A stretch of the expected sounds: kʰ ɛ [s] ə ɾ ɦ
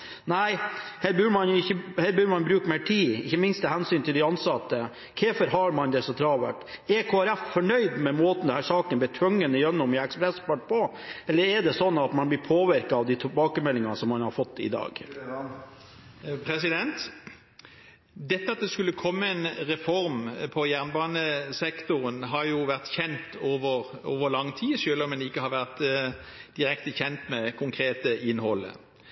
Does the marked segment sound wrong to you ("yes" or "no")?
yes